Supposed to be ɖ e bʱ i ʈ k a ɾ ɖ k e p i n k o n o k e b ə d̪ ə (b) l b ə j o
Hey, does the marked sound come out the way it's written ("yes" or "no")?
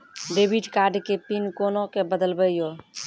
no